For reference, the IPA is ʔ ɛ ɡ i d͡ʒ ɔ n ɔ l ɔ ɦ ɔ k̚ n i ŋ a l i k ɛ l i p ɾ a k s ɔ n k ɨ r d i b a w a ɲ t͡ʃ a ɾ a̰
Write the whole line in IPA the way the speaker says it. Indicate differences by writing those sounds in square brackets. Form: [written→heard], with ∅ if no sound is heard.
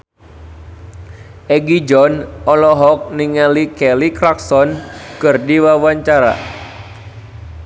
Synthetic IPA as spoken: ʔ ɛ ɡ i d͡ʒ ɔ n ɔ l ɔ ɦ ɔ k̚ n i ŋ a l i k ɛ l i [p→k] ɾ a k s ɔ n k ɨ r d i [b→w] a w a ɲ t͡ʃ a ɾ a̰